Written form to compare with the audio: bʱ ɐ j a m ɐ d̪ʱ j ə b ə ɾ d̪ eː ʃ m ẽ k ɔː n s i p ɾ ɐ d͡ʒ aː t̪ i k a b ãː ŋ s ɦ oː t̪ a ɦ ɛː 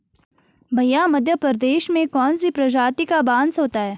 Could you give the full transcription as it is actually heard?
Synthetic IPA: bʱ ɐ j a m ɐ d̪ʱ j ə p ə ɾ d̪ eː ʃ m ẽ k ɔː n s i p ɾ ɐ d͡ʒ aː t̪ i k a b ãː n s ɦ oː t̪ a ɦ ɛː